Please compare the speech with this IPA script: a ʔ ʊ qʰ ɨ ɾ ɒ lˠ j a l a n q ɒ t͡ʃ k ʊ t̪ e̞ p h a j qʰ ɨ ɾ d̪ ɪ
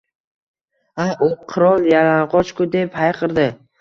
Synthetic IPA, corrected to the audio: a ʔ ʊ qʰ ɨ ɾ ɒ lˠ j a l a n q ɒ t͡ʃ k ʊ d̪ e̞ p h a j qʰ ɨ ɾ d̪ ɪ